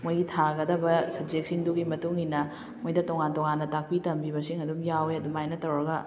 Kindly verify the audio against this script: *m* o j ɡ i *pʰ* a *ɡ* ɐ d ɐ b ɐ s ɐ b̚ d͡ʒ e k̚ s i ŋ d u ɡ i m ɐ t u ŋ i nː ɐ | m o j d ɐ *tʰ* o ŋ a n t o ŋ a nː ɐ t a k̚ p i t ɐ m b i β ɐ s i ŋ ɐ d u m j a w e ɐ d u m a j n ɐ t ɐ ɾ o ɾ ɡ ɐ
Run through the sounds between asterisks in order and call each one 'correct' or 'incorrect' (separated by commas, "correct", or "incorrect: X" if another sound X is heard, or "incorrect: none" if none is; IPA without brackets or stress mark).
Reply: correct, incorrect: tʰ, correct, incorrect: t